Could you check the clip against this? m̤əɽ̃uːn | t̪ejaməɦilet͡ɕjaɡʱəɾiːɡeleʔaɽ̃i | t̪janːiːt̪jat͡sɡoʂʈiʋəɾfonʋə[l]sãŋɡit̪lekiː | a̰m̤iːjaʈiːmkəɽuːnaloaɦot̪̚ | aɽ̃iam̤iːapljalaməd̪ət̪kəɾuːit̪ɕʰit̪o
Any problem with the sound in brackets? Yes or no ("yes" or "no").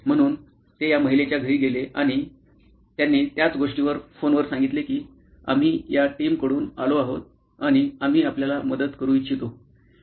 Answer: yes